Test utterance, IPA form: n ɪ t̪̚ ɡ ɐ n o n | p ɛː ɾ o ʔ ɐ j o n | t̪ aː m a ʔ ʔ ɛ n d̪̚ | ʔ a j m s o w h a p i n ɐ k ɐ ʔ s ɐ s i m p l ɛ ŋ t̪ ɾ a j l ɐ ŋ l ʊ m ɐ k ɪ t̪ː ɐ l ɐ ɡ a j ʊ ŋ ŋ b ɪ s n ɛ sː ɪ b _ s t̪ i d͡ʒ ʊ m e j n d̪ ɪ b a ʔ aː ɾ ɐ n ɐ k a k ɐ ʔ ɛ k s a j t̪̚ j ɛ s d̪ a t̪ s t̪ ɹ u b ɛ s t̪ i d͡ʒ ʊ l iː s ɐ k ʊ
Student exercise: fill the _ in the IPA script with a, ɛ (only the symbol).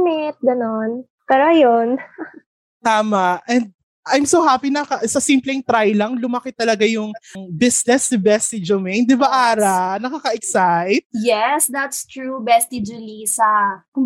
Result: ɛ